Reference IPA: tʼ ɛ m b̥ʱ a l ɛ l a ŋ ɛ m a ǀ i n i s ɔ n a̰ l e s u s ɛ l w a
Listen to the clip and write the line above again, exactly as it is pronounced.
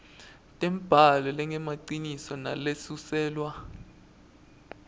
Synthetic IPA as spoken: tʼ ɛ m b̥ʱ a l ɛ l ɛ ŋ ɛ m a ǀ i n i s ɔ n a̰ l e s u s ɛː l w a